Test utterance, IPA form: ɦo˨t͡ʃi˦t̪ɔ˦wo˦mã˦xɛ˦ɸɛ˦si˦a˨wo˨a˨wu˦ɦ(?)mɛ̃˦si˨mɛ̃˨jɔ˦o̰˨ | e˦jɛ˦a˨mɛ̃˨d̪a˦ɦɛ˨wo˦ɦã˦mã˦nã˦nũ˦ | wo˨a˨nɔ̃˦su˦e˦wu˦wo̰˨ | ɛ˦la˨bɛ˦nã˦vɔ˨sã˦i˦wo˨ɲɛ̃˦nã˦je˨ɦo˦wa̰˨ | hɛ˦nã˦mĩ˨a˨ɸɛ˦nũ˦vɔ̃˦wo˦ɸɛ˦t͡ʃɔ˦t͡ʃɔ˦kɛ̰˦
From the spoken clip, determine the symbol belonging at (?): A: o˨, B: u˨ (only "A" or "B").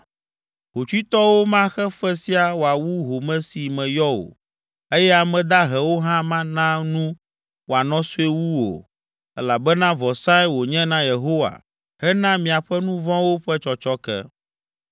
A